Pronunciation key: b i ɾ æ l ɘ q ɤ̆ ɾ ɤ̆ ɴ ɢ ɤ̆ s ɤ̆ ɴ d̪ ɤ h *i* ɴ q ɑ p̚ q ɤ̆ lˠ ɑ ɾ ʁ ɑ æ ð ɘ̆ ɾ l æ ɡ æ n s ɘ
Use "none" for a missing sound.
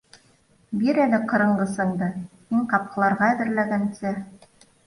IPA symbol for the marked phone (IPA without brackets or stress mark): i